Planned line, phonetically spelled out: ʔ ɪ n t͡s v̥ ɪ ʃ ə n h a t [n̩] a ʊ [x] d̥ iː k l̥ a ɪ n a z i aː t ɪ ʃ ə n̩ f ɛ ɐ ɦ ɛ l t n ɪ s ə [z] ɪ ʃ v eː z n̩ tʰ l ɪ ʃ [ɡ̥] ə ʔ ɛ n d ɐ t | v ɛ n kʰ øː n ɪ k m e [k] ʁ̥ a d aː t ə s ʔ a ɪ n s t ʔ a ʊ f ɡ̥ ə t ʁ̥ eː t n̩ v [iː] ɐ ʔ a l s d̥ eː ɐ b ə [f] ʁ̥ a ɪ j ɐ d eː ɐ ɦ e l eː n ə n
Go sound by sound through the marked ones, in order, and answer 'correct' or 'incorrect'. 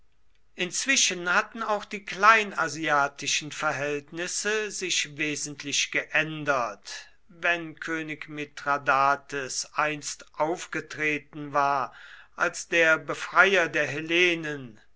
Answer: correct, correct, correct, correct, incorrect, incorrect, correct

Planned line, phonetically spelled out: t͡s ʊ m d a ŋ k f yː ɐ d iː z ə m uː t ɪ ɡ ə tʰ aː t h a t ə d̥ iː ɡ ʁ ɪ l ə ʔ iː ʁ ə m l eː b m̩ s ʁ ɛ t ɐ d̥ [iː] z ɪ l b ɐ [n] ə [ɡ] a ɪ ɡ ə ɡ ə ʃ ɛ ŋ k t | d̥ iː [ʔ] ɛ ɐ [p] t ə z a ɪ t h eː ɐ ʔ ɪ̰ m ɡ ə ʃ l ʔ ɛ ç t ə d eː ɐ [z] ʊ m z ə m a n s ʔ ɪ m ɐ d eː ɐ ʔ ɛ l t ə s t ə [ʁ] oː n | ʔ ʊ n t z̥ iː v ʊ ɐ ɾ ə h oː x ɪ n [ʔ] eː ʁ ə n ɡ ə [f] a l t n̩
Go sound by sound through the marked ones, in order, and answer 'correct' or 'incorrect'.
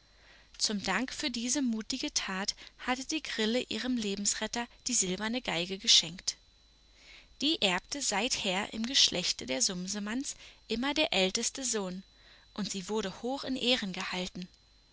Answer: correct, correct, correct, correct, correct, correct, incorrect, correct, incorrect

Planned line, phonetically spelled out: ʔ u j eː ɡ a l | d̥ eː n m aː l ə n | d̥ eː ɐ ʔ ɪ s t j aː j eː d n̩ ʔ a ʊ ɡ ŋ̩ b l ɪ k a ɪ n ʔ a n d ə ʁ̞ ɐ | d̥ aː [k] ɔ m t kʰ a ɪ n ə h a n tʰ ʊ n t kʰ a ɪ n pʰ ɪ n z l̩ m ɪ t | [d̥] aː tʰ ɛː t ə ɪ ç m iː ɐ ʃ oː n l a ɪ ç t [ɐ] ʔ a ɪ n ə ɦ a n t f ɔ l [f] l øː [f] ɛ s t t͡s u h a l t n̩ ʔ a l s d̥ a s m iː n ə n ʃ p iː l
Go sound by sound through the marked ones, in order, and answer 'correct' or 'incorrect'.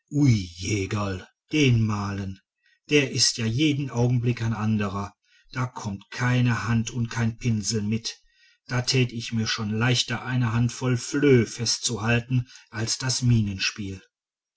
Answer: incorrect, correct, correct, correct, correct

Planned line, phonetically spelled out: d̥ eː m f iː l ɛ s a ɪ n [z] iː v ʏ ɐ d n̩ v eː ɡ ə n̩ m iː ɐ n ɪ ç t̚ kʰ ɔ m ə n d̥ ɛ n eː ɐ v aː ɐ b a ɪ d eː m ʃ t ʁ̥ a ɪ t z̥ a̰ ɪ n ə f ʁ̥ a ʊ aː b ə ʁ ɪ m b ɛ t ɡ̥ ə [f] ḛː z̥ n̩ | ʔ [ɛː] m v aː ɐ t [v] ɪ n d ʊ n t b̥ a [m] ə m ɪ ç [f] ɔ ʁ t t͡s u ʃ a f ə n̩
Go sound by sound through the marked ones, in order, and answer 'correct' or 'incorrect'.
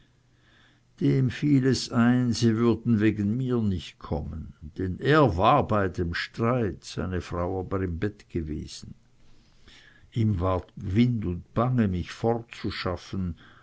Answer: correct, incorrect, incorrect, correct, incorrect, correct

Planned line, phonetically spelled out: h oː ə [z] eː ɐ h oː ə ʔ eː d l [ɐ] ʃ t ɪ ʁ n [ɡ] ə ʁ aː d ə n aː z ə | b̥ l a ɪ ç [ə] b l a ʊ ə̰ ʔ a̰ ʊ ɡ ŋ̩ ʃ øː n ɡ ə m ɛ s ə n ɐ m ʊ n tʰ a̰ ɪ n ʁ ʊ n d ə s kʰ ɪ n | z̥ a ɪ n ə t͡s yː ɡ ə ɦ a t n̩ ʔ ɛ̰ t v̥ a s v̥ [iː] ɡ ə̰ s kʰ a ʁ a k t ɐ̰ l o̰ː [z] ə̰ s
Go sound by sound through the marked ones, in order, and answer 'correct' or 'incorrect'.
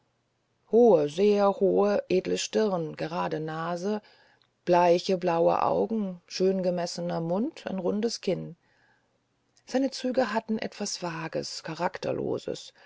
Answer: correct, incorrect, correct, correct, incorrect, correct

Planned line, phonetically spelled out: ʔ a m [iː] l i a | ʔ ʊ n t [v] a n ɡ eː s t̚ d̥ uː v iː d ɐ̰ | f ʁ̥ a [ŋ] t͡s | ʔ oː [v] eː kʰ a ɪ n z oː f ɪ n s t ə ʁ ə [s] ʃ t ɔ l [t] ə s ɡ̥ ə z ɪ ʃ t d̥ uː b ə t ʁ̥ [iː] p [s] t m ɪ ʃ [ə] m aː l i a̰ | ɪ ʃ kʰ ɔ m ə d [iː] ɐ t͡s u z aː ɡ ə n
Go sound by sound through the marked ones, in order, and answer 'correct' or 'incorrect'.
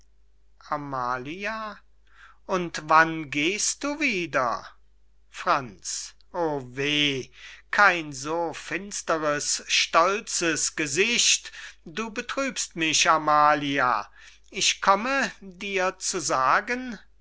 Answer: incorrect, correct, incorrect, correct, correct, incorrect, incorrect, correct, incorrect, correct

